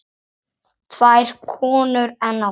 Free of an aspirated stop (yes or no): no